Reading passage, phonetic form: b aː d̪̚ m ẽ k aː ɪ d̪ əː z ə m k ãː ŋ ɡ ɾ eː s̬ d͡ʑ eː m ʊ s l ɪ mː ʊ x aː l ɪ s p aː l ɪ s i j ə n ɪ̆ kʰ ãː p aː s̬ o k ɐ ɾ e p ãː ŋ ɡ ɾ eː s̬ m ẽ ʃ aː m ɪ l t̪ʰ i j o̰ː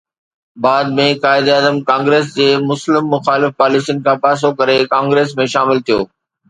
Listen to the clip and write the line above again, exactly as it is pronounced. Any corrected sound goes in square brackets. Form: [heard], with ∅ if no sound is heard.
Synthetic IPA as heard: b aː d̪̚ m ẽ k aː ɪ d̪ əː z ə m k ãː ŋ ɡ ɾ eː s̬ d͡ʑ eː m ʊ s l ɪ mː ʊ x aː l ɪ [f] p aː l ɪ s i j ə n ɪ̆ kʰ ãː p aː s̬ o k ɐ ɾ e [k] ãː ŋ ɡ ɾ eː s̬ m ẽ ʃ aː m ɪ l t̪ʰ i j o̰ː